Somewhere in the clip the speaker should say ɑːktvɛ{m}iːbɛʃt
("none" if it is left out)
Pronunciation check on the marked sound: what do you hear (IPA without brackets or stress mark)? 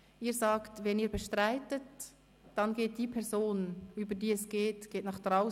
n